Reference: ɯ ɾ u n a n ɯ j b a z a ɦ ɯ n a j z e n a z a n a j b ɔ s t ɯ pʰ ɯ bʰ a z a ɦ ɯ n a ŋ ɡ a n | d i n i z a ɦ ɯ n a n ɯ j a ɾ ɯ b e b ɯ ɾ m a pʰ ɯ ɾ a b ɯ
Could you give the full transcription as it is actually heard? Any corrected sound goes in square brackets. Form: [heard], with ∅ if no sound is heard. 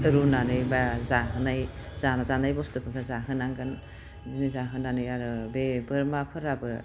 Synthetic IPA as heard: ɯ ɾ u n a n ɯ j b a z a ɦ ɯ n a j z [a] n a z a n a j b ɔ s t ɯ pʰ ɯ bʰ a z a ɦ ɯ n a ŋ ɡ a n | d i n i z a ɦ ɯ n a n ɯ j a ɾ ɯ b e b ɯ ɾ m a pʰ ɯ ɾ a b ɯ

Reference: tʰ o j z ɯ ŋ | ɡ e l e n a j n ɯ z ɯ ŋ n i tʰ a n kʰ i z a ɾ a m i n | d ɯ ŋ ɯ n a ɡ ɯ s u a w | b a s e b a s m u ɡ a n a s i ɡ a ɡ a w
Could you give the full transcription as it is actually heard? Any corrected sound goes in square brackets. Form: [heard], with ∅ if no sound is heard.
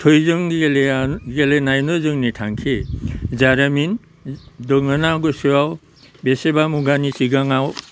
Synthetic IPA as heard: tʰ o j z ɯ ŋ | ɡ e l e n a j n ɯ z ɯ ŋ n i tʰ a [ŋ] kʰ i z a ɾ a m i n | d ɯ ŋ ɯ n a ɡ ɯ s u a w | b [e] s e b a [∅] m u ɡ a n [i] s i ɡ a [ŋ] a w

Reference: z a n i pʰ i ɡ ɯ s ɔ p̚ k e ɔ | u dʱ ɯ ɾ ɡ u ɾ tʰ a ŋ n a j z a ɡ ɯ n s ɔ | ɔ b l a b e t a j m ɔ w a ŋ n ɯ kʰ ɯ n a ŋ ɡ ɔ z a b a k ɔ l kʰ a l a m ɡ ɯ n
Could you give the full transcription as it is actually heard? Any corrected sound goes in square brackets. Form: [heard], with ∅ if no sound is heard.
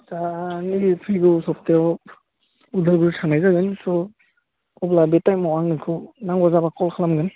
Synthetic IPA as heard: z a n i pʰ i ɡ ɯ s ɔ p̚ [t] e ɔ | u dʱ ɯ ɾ ɡ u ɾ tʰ a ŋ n a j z a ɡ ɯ n s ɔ | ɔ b l a b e t a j m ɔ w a ŋ n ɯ kʰ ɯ n a ŋ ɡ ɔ z a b a k ɔ l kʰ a l a m ɡ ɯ n

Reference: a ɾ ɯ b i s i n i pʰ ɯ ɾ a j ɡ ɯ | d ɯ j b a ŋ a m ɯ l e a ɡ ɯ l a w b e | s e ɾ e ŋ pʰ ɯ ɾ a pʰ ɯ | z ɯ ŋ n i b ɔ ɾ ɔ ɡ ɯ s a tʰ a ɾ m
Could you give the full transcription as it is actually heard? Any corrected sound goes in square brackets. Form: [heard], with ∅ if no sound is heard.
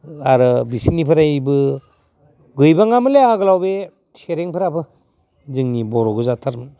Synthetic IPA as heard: a ɾ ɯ b i s i n i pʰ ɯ ɾ a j [b] ɯ | [ɡ] ɯ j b a ŋ a m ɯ l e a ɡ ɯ l a w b e | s e ɾ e ŋ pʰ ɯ ɾ a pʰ ɯ | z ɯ ŋ n i b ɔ ɾ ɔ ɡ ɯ [z] a tʰ a ɾ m

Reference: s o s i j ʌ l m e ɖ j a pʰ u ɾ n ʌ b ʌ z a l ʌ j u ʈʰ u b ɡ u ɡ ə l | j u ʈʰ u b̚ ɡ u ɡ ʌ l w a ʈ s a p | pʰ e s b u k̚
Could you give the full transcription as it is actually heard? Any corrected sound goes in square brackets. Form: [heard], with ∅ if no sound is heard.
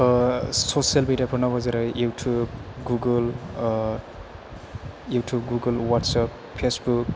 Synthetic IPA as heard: s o s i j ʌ l m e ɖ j a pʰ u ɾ n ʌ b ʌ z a [ɾ] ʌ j u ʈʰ u b ɡ u ɡ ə l | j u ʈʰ u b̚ ɡ u ɡ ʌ l w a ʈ s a p | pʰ e s b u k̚

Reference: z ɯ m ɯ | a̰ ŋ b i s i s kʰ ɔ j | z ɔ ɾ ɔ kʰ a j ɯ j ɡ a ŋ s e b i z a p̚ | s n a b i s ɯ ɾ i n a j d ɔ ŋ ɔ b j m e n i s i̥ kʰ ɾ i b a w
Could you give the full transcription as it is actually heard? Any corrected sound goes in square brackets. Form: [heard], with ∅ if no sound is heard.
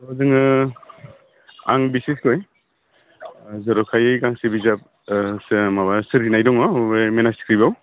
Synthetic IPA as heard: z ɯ [ŋ] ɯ | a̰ ŋ b i s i s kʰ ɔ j | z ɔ ɾ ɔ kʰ a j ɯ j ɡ a ŋ s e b i z a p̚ | s [m] a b [a] s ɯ ɾ i n a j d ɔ ŋ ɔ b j m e n [a] s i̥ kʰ ɾ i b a w

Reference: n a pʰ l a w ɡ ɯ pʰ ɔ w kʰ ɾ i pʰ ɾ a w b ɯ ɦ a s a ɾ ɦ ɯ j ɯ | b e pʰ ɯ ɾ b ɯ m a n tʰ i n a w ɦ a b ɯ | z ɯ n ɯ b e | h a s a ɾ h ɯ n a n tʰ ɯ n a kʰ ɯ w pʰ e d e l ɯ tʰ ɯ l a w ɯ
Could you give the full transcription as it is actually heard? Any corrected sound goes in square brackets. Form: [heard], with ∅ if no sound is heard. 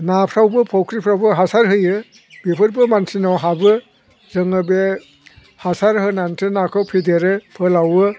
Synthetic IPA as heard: n a pʰ [ɾ] a w [b] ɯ pʰ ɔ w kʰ ɾ i pʰ ɾ a w b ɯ ɦ a s a ɾ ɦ ɯ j ɯ | b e pʰ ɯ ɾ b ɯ m a n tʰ i n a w ɦ a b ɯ | z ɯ [ŋ] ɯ b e | h a s a ɾ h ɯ n a n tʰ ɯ n a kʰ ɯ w pʰ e d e [ɾ] ɯ [pʰ] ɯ l a w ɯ

